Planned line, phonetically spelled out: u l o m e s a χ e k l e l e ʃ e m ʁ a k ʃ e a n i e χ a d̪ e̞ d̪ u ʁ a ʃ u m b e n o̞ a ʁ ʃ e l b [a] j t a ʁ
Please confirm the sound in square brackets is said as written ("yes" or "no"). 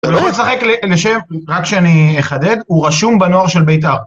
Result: no